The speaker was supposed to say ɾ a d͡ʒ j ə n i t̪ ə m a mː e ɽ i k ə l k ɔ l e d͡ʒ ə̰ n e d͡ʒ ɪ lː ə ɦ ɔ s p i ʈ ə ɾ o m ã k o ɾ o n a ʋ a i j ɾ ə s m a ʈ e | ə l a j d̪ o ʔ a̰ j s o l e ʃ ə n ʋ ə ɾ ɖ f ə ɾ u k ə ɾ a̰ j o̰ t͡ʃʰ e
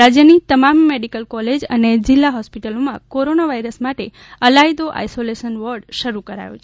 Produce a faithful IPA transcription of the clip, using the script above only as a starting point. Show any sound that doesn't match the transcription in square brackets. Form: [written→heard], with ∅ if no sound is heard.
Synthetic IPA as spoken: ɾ a d͡ʒ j ə n i t̪ ə m a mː e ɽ i k ə l k ɔ l e d͡ʒ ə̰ n e d͡ʒ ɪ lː [ə→a] ɦ ɔ s p i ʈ ə [ɾ→l] o m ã k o ɾ o n a ʋ a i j ɾ ə s m a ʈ e | ə l a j d̪ o ʔ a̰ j s o l e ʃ ə n ʋ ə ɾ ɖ [f→ʃ] ə ɾ u k ə ɾ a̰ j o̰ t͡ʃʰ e